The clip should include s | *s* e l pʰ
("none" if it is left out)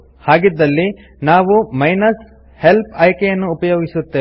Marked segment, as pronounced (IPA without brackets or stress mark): h